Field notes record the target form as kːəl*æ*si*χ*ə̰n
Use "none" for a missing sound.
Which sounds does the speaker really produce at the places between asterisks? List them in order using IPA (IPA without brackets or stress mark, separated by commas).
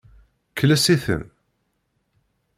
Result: æ, θ